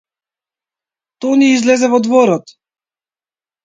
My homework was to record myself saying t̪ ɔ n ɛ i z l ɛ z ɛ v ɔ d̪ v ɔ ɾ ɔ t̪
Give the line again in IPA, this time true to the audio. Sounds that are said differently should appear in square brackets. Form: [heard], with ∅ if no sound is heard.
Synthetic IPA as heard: t̪ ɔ n [i] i z l ɛ z ɛ v ɔ d̪ v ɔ ɾ ɔ t̪